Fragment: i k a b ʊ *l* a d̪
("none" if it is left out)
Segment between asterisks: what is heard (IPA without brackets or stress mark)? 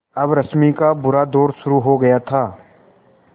ɾ